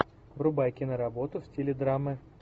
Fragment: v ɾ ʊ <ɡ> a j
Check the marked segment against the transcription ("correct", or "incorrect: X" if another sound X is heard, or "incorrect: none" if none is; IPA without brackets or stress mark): incorrect: b